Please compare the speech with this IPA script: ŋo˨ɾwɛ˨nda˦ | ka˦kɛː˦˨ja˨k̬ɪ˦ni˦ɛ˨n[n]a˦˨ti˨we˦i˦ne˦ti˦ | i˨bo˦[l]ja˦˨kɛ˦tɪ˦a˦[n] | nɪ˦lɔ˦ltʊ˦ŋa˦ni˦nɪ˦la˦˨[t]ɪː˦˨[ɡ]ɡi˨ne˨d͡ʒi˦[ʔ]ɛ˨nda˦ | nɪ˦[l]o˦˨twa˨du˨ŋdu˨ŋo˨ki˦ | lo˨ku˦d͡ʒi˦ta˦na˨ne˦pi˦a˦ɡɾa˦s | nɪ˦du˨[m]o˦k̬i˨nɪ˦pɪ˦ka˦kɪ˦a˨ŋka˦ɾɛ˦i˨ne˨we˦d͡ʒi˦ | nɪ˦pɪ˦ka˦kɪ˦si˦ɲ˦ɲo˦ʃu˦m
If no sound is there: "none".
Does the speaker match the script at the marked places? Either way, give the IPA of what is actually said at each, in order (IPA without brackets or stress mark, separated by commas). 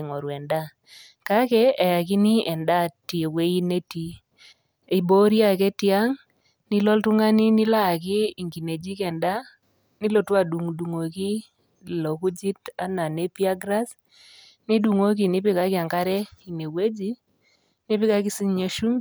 d, ɾ, ŋ, k, ŋ, k, l, ŋ